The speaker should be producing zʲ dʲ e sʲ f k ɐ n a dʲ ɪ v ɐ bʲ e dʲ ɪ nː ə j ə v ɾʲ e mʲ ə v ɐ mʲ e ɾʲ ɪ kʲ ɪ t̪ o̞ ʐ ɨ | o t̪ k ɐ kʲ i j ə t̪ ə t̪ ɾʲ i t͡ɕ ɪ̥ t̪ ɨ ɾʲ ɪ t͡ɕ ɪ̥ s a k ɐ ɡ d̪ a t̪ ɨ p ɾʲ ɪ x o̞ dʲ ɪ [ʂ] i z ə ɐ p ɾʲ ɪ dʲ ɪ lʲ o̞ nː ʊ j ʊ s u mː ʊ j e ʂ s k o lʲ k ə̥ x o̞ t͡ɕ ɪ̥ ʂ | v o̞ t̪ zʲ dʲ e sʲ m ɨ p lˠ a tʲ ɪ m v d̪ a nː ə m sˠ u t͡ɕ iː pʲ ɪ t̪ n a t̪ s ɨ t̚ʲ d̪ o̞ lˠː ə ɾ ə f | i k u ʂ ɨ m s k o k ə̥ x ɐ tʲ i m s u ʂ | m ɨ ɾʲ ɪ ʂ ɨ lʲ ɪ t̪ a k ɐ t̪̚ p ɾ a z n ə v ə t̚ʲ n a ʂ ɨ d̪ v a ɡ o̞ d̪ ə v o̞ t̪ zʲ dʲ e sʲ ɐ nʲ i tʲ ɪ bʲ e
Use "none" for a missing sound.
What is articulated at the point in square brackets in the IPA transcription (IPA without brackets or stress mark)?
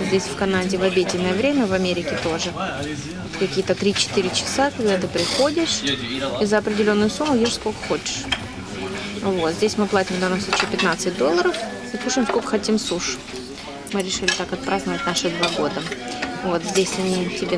ʂ